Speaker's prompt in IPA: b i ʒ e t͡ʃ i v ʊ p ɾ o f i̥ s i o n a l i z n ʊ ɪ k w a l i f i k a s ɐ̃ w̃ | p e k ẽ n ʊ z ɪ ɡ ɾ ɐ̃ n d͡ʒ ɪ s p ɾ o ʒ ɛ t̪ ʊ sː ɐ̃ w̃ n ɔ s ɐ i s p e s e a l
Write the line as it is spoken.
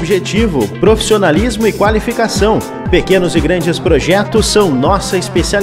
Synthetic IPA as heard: b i ʒ e t͡ʃ i v ʊ p ɾ o f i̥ s i o n a l i z m ʊ ɪ k w a l i f i k a s ɐ̃ w̃ | p e k ẽ n ʊ z ɪ ɡ ɾ ɐ̃ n d͡ʒ ɪ s p ɾ o ʒ ɛ t̪ ʊ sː ɐ̃ w̃ n ɔ s ɐ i s p e s i a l